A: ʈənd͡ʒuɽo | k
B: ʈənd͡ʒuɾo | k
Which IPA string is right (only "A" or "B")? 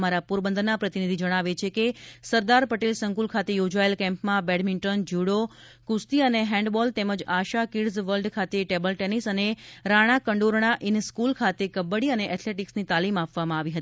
A